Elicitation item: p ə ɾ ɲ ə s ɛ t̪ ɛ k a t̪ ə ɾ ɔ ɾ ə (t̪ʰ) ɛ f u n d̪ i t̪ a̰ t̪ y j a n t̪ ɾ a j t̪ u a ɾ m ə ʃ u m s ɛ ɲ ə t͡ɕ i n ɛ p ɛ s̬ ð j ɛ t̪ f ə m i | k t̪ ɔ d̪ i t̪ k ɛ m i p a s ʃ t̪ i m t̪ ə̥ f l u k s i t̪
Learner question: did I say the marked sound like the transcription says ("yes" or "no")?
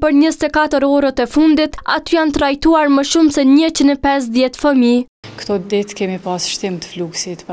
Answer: no